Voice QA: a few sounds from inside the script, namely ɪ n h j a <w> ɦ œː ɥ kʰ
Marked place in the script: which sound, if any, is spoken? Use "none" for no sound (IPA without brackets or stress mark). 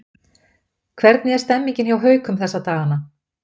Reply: w